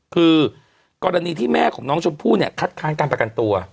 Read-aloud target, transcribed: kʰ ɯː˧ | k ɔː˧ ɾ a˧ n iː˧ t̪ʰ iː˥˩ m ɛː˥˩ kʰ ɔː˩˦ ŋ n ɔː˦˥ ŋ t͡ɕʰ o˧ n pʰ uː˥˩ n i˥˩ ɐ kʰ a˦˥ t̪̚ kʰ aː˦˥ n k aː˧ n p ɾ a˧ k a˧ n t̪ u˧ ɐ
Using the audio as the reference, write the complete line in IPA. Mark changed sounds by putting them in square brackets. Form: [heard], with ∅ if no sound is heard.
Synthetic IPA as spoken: kʰ ɯː˧ | k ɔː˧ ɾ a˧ n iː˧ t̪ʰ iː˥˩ m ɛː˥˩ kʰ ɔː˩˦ ŋ n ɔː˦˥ ŋ t͡ɕʰ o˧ n pʰ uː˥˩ n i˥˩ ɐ kʰ a˦˥ t̪̚ kʰ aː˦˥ n k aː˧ n p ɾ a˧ k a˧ n t̪ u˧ ɐ